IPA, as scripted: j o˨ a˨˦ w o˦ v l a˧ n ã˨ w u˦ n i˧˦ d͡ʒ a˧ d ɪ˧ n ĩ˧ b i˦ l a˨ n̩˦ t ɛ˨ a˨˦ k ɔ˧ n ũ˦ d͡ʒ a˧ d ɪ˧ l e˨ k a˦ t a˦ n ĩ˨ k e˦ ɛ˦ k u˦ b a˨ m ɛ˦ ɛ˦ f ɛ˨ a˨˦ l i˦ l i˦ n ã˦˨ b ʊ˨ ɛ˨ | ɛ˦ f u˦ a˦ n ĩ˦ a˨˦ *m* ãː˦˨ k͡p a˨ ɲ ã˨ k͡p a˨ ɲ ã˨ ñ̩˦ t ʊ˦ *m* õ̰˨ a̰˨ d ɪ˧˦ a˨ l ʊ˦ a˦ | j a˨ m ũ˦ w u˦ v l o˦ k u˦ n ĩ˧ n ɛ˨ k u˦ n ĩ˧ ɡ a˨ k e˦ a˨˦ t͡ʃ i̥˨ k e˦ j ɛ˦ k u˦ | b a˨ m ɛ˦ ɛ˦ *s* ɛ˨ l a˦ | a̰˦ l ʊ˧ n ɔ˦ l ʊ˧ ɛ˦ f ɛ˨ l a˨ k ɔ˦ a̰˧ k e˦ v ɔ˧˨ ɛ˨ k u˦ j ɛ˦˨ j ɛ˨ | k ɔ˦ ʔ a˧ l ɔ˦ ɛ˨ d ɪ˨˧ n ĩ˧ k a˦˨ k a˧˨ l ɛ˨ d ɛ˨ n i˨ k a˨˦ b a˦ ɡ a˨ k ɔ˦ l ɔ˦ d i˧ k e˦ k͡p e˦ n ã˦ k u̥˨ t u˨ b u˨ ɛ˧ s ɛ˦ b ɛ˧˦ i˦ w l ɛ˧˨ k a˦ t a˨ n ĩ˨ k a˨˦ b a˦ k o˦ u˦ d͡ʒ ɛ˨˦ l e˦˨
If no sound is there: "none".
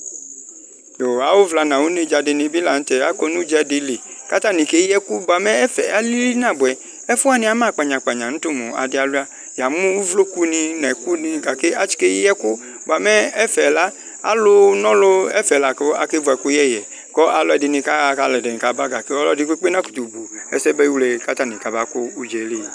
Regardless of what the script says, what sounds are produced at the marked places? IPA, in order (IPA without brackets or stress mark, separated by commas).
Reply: m, m, f